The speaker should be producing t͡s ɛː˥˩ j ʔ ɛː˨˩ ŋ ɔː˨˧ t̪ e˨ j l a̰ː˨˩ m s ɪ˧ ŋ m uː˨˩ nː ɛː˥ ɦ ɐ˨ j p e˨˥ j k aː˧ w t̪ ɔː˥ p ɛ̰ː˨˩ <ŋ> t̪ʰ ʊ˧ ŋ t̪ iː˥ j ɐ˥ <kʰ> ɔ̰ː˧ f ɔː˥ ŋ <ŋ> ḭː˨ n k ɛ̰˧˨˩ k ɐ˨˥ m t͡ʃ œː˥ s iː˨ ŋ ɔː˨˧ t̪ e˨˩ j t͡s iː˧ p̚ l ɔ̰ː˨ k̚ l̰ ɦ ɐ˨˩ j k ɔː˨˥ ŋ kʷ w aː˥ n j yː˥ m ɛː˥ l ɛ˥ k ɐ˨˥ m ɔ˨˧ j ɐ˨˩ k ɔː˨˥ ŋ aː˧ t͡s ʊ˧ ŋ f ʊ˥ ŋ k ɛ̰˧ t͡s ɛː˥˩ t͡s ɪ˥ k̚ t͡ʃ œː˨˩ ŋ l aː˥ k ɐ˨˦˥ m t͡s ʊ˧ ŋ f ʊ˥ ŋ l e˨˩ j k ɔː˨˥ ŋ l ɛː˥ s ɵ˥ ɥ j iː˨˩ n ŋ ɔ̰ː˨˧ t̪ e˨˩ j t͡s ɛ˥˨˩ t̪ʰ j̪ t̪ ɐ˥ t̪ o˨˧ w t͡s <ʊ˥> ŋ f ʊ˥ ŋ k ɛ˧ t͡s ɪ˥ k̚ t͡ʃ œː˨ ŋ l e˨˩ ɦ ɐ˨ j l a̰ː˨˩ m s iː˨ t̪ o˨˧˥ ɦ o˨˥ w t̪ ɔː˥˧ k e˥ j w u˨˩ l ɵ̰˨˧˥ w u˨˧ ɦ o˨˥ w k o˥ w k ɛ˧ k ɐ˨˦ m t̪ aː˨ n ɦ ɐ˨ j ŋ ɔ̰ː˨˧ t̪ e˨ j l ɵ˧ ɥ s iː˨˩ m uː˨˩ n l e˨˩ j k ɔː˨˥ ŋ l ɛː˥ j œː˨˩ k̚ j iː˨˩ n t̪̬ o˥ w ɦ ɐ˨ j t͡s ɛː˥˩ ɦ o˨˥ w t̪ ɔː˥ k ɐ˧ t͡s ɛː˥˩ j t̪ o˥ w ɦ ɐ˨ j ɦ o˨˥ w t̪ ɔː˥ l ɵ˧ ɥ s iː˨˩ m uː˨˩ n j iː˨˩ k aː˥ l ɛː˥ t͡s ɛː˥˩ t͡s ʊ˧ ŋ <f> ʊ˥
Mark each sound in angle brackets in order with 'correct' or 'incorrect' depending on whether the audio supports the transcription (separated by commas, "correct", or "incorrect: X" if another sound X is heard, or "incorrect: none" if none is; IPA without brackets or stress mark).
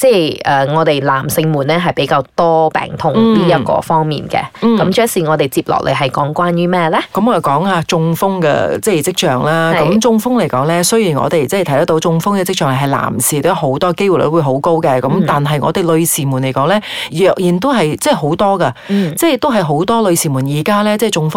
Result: correct, incorrect: k, incorrect: m, incorrect: ʊ˧, correct